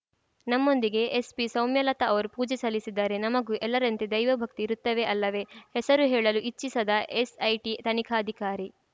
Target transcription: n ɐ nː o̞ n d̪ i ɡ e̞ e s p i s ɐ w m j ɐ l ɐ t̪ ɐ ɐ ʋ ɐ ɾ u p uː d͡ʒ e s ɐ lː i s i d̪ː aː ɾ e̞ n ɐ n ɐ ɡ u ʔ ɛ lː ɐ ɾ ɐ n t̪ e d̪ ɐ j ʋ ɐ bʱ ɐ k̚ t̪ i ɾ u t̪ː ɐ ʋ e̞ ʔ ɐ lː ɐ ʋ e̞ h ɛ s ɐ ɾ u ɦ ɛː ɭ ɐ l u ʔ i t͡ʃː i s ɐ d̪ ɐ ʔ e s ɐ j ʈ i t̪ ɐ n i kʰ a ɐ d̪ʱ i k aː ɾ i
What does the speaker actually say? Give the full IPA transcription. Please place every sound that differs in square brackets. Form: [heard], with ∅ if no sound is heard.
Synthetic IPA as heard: n ɐ [mː] o̞ n d̪ i ɡ e̞ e s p i s ɐ w m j ɐ l ɐ t̪ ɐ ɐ ʋ ɐ ɾ u p uː d͡ʒ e s ɐ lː i s i d̪ː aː ɾ e̞ n ɐ [m] ɐ ɡ u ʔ ɛ lː ɐ ɾ ɐ n t̪ e d̪ ɐ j ʋ ɐ bʱ ɐ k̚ t̪ i ɾ u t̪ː ɐ ʋ e̞ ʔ ɐ lː ɐ ʋ e̞ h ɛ s ɐ ɾ u ɦ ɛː ɭ ɐ l u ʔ i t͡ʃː i s ɐ d̪ ɐ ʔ e s ɐ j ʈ i t̪ ɐ n i kʰ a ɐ d̪ʱ i k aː ɾ i